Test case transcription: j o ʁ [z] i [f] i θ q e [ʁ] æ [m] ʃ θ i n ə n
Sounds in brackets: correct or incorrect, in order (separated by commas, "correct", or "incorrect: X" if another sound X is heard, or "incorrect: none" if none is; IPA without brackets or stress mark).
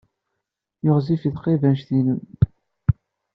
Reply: correct, correct, incorrect: v, incorrect: n